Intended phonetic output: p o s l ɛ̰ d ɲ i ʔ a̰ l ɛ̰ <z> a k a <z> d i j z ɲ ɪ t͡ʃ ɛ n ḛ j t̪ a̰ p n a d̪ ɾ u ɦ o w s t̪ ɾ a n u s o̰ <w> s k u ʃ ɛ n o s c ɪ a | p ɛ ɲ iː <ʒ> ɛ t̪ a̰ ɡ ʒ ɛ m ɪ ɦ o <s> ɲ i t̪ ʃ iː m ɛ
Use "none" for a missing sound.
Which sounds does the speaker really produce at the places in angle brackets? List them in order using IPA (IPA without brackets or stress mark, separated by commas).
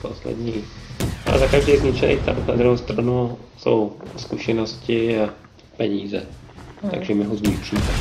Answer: z, ʒ, w, z, z